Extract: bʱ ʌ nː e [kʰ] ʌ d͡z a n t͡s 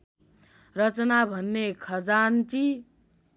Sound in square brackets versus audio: correct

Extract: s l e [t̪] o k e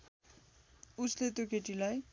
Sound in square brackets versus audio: correct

